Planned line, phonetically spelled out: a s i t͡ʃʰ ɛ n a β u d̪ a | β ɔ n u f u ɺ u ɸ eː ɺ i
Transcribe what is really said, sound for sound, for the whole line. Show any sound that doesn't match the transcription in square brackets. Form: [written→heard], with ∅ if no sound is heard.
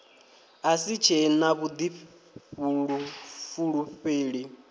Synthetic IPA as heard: a s i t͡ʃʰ ɛ n a β u d̪ [a→i] | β [ɔ→u] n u f u ɺ u ɸ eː ɺ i